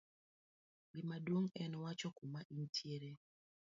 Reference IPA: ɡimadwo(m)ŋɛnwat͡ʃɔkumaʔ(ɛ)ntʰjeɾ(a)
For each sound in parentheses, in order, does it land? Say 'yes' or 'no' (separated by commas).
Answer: no, no, no